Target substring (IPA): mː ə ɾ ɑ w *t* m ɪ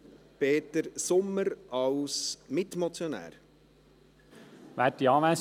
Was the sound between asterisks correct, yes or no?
no